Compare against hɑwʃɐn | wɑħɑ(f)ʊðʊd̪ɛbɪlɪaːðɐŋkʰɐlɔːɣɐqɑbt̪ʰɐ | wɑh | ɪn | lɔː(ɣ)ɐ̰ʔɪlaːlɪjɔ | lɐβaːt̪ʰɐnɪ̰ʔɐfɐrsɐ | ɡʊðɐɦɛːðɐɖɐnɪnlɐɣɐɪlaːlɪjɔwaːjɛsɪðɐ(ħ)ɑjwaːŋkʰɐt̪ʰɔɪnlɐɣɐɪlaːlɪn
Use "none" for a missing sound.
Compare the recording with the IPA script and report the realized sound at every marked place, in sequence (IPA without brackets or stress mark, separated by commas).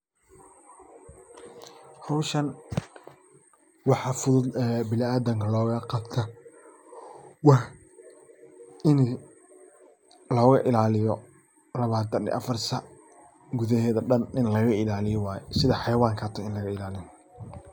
f, ɣ, ħ